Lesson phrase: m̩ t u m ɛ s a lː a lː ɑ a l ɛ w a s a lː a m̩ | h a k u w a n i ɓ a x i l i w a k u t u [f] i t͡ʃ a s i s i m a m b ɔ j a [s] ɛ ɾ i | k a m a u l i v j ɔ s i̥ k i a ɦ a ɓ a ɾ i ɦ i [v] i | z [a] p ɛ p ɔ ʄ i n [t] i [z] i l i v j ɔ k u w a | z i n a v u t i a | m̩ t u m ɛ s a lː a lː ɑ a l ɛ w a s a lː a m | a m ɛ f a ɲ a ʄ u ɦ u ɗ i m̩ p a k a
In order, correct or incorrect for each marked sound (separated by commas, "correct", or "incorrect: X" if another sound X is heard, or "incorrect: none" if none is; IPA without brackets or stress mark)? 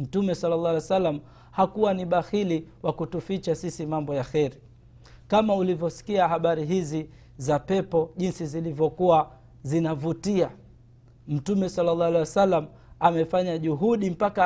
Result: correct, incorrect: x, incorrect: z, correct, incorrect: s, correct